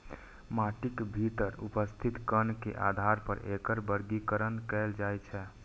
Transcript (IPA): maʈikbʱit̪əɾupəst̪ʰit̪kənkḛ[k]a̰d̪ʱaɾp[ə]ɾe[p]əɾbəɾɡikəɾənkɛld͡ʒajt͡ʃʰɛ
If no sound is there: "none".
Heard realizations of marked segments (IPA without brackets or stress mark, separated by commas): ʔ, ə, k